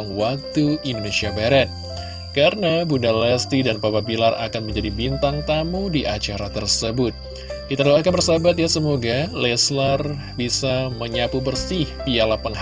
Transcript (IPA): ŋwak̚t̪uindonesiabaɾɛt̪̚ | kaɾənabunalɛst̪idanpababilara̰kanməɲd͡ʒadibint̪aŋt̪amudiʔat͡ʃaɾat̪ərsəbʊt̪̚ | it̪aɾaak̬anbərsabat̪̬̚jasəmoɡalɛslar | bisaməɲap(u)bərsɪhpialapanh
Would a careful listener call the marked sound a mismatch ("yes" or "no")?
no